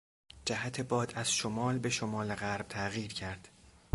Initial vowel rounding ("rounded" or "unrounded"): unrounded